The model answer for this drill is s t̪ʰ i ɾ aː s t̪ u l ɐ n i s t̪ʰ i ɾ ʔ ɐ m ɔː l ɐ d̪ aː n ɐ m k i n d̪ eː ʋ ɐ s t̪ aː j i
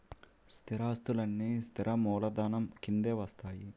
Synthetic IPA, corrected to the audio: s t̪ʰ i ɾ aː s t̪ u l ɐ nː i s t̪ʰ i ɾ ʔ ɐ m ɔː l ɐ d̪ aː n ɐ m k i n d̪ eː ʋ ɐ s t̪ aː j i

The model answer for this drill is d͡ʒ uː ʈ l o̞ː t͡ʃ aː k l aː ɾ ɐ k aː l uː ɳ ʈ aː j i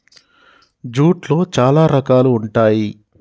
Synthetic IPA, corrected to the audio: d͡ʒ uː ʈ l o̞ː t͡ʃ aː l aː ɾ ɐ k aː l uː ɳ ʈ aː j i

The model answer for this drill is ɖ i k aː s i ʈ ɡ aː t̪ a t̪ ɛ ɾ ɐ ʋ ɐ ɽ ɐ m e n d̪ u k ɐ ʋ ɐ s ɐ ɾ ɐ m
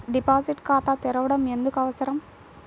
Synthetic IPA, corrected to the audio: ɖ i p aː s i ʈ k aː t̪ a t̪ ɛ ɾ ɐ ʋ ɐ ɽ ɐ m e n d̪ u k ɐ ʋ ɐ s ɐ ɾ ɐ m

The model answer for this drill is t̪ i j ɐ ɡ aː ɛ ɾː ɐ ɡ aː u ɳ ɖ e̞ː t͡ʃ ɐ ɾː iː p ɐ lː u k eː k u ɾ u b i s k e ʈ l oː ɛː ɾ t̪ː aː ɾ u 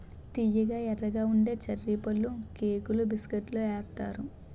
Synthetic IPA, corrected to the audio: t̪ i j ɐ ɡ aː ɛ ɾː ɐ ɡ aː u ɳ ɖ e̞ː t͡ʃ ɐ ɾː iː p ɐ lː u k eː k u l u b i s k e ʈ l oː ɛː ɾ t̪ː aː ɾ u

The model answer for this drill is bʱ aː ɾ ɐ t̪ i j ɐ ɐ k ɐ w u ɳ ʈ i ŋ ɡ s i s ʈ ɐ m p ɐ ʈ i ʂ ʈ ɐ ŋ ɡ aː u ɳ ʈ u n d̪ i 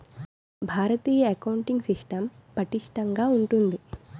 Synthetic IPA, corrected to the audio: bʱ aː ɾ ɐ t̪ iː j ɐ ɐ k ɐ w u ɳ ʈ i ŋ ɡ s i ʂ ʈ ɐ m p ɐ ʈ i ʂ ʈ ɐ ŋ ɡ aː u ɳ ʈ u n d̪ i

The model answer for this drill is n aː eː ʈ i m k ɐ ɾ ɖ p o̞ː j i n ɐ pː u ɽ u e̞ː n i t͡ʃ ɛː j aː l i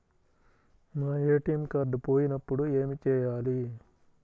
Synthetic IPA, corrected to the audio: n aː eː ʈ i m k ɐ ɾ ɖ p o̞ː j i n ɐ pː u ɽ u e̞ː m i t͡ʃ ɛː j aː l i

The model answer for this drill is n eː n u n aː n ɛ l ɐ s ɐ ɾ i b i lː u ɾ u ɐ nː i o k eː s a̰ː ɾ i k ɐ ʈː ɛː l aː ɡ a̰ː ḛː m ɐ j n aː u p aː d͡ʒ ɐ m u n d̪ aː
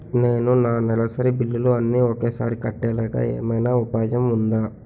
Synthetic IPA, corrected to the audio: n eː n u n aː n ɛ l ɐ s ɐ ɾ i b i lː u l u ɐ nː i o k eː s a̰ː ɾ i k ɐ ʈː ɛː l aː ɡ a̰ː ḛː m ɐ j n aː u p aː d͡ʒ ɐ m u n d̪ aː

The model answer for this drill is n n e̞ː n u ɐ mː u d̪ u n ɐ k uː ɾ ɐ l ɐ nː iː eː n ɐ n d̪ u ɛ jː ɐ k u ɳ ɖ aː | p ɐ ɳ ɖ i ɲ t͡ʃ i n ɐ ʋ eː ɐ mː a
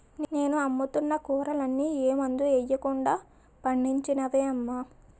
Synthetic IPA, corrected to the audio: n n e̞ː n u ɐ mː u t̪ u nː ɐ k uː ɾ ɐ l ɐ nː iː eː m ɐ n d̪ u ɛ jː ɐ k u ɳ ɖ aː | p ɐ ɳ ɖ i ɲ t͡ʃ i n ɐ ʋ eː ɐ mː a

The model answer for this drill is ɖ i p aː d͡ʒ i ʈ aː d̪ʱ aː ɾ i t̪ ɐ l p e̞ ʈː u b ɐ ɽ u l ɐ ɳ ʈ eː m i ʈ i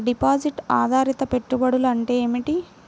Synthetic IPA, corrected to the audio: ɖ i p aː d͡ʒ i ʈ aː d̪ʱ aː ɾ i t̪ ɐ p e̞ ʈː u b ɐ ɽ u l ɐ ɳ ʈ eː m i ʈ i

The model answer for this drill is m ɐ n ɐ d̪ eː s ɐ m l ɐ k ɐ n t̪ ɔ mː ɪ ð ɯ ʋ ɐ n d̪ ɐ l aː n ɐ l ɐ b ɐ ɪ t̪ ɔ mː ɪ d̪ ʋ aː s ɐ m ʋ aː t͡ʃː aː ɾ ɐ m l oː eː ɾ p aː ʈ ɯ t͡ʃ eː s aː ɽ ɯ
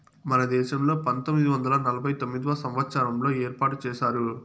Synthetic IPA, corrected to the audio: m ɐ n ɐ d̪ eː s ɐ m l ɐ p ɐ n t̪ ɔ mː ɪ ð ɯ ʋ ɐ n d̪ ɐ l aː n ɐ l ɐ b ɐ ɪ t̪ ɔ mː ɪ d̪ ʋ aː s ɐ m ʋ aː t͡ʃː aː ɾ ɐ m l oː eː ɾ p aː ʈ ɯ t͡ʃ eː s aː ɾ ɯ

